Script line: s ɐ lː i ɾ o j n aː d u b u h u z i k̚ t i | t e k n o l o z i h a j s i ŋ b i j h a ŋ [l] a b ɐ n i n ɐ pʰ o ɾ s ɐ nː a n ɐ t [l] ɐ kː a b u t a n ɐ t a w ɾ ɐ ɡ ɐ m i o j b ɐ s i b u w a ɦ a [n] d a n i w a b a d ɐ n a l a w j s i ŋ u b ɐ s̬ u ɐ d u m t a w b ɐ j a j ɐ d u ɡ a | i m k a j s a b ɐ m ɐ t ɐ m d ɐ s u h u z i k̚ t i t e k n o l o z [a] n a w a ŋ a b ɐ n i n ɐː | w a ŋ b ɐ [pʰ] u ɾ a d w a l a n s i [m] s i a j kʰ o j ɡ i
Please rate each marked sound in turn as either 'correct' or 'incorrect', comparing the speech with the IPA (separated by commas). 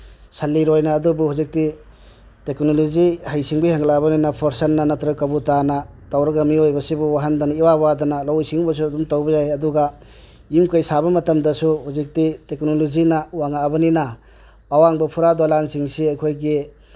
correct, incorrect, correct, incorrect, correct, incorrect